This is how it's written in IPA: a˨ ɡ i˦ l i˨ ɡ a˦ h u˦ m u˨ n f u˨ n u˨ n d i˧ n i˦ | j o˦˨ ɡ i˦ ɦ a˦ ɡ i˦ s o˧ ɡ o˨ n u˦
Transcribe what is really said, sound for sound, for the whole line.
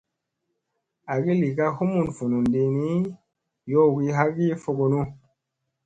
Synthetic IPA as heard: a˨ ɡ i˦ l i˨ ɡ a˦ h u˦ m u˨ n f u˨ n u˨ n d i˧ n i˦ | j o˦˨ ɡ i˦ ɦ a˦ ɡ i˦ f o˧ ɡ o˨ n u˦